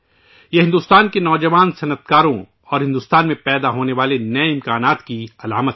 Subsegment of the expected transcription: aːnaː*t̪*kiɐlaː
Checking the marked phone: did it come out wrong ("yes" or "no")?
no